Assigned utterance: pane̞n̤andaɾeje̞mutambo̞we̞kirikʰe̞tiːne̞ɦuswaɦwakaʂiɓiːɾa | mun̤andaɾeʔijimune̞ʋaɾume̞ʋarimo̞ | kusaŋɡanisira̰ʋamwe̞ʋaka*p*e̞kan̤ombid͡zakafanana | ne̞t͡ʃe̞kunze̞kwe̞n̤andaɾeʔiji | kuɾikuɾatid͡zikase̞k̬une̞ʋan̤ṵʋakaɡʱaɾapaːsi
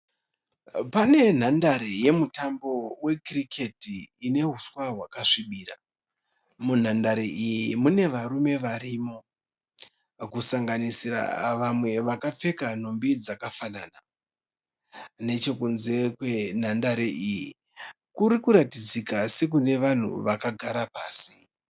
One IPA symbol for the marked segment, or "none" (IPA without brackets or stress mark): p͡f